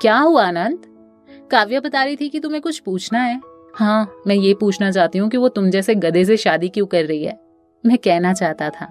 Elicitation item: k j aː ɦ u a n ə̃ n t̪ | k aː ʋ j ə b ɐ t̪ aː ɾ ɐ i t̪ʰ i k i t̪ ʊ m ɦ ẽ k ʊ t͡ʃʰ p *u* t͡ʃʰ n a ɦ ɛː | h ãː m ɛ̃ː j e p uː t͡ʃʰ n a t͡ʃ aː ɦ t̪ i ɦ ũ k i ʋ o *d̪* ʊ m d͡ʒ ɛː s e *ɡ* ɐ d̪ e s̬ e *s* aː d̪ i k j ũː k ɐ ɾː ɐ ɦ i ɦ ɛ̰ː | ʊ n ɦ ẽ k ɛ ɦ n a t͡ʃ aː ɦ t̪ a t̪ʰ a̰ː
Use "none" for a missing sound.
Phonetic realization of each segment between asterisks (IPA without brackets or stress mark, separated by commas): uː, t̪, ɡ, ʃ